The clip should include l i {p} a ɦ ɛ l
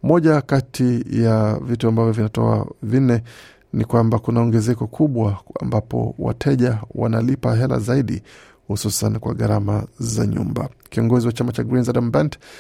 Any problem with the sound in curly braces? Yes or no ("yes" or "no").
no